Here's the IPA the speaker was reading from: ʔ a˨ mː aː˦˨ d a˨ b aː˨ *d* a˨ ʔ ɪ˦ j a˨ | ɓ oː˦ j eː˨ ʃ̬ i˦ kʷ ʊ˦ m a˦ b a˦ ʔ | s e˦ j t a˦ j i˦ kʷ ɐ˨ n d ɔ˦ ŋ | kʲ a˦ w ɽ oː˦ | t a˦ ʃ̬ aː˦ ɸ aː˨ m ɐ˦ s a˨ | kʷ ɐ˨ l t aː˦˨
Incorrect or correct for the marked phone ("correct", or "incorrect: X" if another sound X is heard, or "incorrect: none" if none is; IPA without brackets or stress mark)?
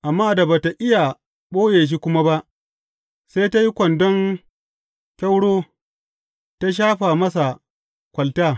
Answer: incorrect: t